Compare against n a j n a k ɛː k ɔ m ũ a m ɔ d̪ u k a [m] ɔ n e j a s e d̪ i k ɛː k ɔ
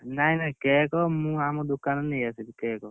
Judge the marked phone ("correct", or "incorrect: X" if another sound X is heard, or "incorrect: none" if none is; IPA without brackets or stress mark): incorrect: n